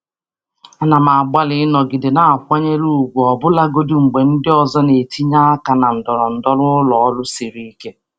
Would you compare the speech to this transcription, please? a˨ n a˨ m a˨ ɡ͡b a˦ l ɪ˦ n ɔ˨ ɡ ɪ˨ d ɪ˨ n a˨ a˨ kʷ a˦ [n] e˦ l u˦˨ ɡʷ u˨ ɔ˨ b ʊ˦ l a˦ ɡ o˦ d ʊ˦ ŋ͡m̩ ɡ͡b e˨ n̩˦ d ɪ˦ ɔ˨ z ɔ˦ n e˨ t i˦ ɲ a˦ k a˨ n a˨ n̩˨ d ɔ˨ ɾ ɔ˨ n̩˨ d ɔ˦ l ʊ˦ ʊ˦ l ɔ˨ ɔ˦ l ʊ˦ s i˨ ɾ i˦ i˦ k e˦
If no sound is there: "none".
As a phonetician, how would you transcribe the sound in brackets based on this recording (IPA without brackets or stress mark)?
ɲ